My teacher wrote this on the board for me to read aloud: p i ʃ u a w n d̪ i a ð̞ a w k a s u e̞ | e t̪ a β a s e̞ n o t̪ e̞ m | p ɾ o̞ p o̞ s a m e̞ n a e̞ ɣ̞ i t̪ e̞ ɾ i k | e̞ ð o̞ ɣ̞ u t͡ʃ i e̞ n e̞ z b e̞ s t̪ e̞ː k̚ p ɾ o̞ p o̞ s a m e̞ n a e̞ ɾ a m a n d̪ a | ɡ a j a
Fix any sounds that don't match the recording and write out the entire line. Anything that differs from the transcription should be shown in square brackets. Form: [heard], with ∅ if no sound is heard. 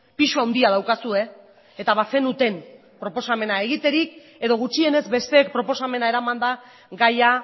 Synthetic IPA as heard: p i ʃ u a w n d̪ i a ð̞ a w k a s u e̞ | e t̪ a β a s e̞ n [u] t̪ e̞ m | p ɾ o̞ p o̞ s a m e̞ n a e̞ ɣ̞ i t̪ e̞ ɾ i k | e̞ ð o̞ ɣ̞ u t͡ʃ i e̞ n e̞ z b e̞ s t̪ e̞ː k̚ p ɾ o̞ p o̞ s a m e̞ n a e̞ ɾ a m a n d̪ a | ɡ a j a

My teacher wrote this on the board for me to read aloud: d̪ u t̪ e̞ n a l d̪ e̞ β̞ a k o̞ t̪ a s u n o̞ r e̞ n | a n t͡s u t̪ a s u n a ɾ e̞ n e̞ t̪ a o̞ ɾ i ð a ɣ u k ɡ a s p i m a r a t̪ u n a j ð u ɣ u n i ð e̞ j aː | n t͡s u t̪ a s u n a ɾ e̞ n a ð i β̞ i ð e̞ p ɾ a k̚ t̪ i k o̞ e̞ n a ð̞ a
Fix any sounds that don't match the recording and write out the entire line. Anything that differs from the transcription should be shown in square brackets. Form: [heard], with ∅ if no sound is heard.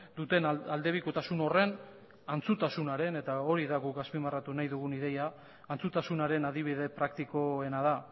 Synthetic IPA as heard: d̪ u t̪ e̞ n a l d̪ e̞ β̞ [i] k o̞ t̪ a s u n o̞ r e̞ n | a n t͡s u t̪ a s u n a ɾ e̞ n e̞ t̪ a o̞ ɾ i ð a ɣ u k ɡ a s p i m a r a t̪ u n a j ð u ɣ u n i ð e̞ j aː | n t͡s u t̪ a s u n a ɾ e̞ n a ð i β̞ i ð e̞ p ɾ a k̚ t̪ i k o̞ e̞ n a ð̞ a

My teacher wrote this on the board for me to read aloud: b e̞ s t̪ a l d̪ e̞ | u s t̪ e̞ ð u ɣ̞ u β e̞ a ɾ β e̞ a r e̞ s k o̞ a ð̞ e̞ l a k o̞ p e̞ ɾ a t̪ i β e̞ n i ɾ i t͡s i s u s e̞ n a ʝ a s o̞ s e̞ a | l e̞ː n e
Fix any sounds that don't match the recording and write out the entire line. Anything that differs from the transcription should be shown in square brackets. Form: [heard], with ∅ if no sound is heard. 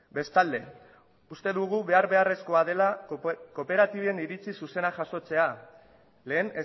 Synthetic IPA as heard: b e̞ s t̪ a l d̪ e̞ | u s t̪ e̞ ð u ɣ̞ u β e̞ a ɾ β e̞ a r e̞ s k o̞ a ð̞ e̞ l a k o̞ p e̞ ɾ a t̪ i β e̞ n i ɾ i t͡s i s u s e̞ n a ʝ a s o̞ [t͡s] e̞ a | l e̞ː n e

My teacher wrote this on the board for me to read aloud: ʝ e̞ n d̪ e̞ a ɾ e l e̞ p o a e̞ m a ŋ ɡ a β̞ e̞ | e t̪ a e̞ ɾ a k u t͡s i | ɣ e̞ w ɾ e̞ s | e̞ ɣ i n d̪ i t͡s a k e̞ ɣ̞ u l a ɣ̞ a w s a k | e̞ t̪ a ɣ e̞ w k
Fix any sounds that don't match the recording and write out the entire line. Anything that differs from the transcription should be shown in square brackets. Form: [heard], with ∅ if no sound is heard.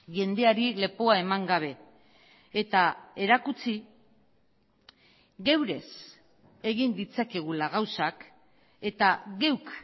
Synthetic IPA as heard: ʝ e̞ n d̪ e̞ a ɾ [i] l e̞ p o a e̞ m a ŋ ɡ a β̞ e̞ | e t̪ a e̞ ɾ a k u t͡s i | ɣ e̞ w ɾ e̞ s | e̞ ɣ i n d̪ i t͡s a k e̞ ɣ̞ u l a ɣ̞ a w s a k | e̞ t̪ a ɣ e̞ w k

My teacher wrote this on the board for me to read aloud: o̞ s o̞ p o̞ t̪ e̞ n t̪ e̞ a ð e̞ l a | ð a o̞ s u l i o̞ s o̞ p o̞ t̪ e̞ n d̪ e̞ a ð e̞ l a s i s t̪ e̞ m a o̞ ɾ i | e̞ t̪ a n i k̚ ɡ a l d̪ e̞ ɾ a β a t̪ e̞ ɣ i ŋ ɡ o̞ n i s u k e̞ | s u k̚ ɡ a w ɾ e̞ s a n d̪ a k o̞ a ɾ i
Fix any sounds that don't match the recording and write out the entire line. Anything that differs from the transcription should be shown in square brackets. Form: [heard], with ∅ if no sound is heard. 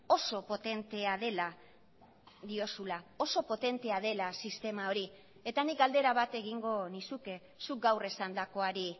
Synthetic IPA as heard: o̞ s o̞ p o̞ t̪ e̞ n t̪ e̞ a ð e̞ l a | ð [i] o̞ s u l [a] o̞ s o̞ p o̞ t̪ e̞ n [t̪] e̞ a ð e̞ l a s i s t̪ e̞ m a o̞ ɾ i | e̞ t̪ a n i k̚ ɡ a l d̪ e̞ ɾ a β a t̪ e̞ ɣ i ŋ ɡ o̞ n i s u k e̞ | s u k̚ ɡ a w [r] e̞ s a n d̪ a k o̞ a ɾ i

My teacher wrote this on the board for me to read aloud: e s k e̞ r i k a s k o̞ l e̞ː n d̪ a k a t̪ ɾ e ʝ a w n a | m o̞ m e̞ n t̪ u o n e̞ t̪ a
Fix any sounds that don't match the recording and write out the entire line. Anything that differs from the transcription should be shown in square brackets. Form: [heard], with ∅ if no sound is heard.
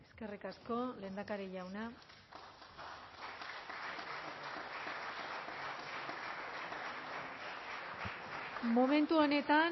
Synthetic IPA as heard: e s k e̞ r i k a s k o̞ l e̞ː n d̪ a k a [∅] ɾ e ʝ a w n a | m o̞ m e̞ n t̪ u o n e̞ t̪ a

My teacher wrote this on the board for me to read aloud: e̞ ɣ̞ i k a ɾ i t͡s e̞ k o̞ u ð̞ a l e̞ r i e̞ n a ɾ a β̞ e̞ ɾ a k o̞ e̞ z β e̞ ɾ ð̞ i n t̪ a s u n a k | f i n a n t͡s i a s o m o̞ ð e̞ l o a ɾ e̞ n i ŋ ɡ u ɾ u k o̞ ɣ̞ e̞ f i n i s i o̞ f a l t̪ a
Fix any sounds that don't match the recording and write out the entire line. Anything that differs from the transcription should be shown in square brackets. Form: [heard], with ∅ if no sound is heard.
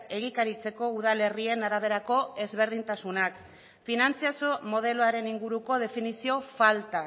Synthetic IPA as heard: e̞ ɣ̞ i k a ɾ i t͡s e̞ k o̞ u ð̞ a l e̞ r i e̞ n a ɾ a β̞ e̞ ɾ a k o̞ e̞ z β e̞ ɾ ð̞ i n t̪ a s u n a k | f i n a n t͡s i a s o m o̞ ð e̞ l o a ɾ e̞ n i ŋ ɡ u ɾ u k o̞ [ð̞] e̞ f i n i s i o̞ f a l t̪ a

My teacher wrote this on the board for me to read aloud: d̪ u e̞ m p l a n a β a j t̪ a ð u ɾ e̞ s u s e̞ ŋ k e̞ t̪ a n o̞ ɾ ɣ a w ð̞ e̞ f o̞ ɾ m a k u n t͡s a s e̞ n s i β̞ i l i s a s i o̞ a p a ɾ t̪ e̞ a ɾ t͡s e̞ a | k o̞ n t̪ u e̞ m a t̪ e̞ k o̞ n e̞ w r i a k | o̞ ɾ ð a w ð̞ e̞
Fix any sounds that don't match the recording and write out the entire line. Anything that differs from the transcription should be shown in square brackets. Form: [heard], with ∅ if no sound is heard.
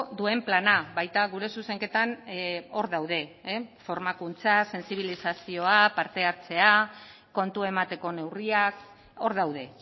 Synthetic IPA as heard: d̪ u e̞ m p l a n a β a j t̪ a [ɣ] u ɾ e̞ s u s e̞ ŋ k e̞ t̪ a n o̞ ɾ [ð] a w ð̞ e̞ f o̞ ɾ m a k u n t͡s a s e̞ n s i β̞ i l i s a s i o̞ a p a ɾ t̪ e̞ a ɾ t͡s e̞ a | k o̞ n t̪ u e̞ m a t̪ e̞ k o̞ n e̞ w r i a k | o̞ ɾ ð a w ð̞ e̞

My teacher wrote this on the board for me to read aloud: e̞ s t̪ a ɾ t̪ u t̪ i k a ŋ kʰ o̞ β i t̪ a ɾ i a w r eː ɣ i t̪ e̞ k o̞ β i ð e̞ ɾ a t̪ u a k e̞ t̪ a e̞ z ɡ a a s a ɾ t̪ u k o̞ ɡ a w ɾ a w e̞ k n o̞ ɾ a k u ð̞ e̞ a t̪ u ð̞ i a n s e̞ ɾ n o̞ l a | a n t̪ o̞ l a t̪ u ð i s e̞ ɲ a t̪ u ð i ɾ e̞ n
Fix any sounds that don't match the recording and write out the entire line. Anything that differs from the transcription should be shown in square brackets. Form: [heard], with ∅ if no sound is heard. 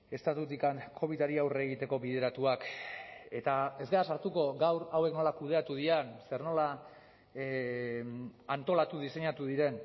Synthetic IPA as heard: e̞ s t̪ a [∅] t̪ u t̪ i k a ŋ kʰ o̞ β i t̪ a ɾ i a w r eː ɣ i t̪ e̞ k o̞ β i ð e̞ ɾ a t̪ u a k e̞ t̪ a e̞ z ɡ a a s a ɾ t̪ u k o̞ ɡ a w ɾ a w e̞ k n o̞ [l] a k u ð̞ e̞ a t̪ u ð̞ i a n s e̞ ɾ n o̞ l a | a n t̪ o̞ l a t̪ u ð i s e̞ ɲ a t̪ u ð i ɾ e̞ n

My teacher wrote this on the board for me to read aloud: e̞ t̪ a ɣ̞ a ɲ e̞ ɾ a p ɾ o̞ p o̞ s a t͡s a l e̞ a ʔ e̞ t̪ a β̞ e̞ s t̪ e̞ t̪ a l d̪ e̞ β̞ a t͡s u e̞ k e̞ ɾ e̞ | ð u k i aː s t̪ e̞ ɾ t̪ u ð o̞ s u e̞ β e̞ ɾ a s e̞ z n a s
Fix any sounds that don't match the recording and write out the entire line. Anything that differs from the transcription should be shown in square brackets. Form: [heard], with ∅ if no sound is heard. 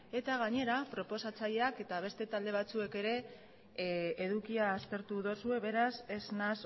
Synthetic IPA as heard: e̞ t̪ a ɣ̞ a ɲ e̞ ɾ a p ɾ o̞ p o̞ s a t͡s a [ʎ] e̞ a [k] e̞ t̪ a β̞ e̞ s t̪ e̞ t̪ a l d̪ e̞ β̞ a t͡s u e̞ k e̞ ɾ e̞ | ð u k i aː s t̪ e̞ ɾ t̪ u ð o̞ s u e̞ β e̞ ɾ a s e̞ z n a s

